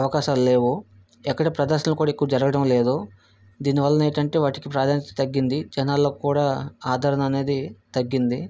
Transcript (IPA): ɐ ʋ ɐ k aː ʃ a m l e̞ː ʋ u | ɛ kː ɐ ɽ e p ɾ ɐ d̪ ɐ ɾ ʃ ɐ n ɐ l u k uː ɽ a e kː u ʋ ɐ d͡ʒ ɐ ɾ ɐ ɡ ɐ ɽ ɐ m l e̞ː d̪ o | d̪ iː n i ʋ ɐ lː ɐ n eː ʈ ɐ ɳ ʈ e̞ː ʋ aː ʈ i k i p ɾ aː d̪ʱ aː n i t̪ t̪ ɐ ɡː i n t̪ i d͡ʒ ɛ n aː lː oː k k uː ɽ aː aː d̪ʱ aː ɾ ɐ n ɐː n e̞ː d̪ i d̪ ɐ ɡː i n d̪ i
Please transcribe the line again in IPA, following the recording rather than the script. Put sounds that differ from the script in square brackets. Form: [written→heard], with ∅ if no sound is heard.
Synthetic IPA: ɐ ʋ ɐ k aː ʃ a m l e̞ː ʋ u | ɛ kː ɐ ɽ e p ɾ ɐ d̪ ɐ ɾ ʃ ɐ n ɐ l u k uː ɽ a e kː u ʋ ɐ d͡ʒ ɐ ɾ ɐ ɡ ɐ ɽ ɐ m l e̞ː d̪ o | d̪ iː n i ʋ ɐ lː ɐ n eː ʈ ɐ ɳ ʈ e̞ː ʋ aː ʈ i k i p ɾ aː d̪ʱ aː n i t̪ t̪ ɐ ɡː i n [t̪→d̪] i d͡ʒ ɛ n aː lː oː k k uː ɽ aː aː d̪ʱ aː ɾ ɐ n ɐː n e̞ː d̪ i [d̪→t̪] ɐ ɡː i n d̪ i

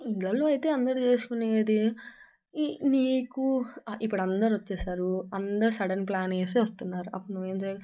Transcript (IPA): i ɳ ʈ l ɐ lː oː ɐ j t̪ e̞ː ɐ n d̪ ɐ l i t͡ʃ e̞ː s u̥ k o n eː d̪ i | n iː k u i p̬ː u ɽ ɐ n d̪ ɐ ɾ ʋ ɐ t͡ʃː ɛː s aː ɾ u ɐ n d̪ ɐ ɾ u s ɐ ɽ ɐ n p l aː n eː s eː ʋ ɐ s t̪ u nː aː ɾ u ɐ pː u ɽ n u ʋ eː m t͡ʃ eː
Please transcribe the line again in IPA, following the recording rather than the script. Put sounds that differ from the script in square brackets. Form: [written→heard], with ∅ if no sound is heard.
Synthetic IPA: i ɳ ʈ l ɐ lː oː ɐ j t̪ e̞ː ɐ n d̪ ɐ [l→ɾ] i t͡ʃ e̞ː s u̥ k [o→u] n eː d̪ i | n iː k u i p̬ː u ɽ ɐ n d̪ ɐ ɾ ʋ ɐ t͡ʃː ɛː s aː ɾ u ɐ n d̪ ɐ ɾ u s ɐ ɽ ɐ n p l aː n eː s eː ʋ ɐ s t̪ u nː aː ɾ u ɐ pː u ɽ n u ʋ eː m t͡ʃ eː

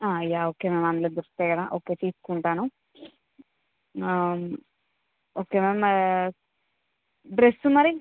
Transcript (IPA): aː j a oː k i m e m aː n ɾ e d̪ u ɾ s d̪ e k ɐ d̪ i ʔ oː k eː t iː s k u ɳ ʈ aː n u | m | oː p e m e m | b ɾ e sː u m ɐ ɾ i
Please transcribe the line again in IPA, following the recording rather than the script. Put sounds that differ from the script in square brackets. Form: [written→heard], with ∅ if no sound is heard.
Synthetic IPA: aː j a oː k [i→e] m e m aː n [ɾ→l] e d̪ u ɾ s [d̪→t̪] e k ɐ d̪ [i→a] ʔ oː k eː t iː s k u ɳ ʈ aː n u | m | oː [p→k] e m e m | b ɾ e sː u m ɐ ɾ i

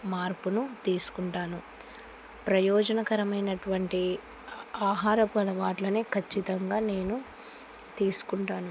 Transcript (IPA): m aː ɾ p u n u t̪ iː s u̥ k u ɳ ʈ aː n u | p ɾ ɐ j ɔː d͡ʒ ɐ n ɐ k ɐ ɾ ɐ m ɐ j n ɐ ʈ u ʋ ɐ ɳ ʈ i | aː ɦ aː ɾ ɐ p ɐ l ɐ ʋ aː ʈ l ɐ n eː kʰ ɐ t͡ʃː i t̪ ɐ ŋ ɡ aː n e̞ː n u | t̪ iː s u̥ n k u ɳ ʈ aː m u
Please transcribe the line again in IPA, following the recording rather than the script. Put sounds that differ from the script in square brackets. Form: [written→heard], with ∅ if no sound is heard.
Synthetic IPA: m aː ɾ p u n u t̪ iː s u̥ k u ɳ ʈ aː n u | p ɾ ɐ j ɔː d͡ʒ ɐ n ɐ k ɐ ɾ ɐ m ɐ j n ɐ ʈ u ʋ ɐ ɳ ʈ i | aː ɦ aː ɾ ɐ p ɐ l ɐ ʋ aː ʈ l ɐ n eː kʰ ɐ t͡ʃː i t̪ ɐ ŋ ɡ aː n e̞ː n u | t̪ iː s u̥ [n→∅] k u ɳ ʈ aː [m→n] u

